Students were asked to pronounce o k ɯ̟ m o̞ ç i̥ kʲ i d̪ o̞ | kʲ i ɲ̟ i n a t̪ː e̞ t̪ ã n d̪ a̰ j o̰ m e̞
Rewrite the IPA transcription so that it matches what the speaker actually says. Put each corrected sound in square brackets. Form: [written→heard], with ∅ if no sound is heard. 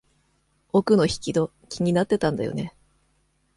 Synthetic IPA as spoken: o k ɯ̟ [m→n] o̞ ç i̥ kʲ i d̪ o̞ | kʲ i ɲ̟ i n a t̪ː e̞ t̪ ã n d̪ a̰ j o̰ [m→n] e̞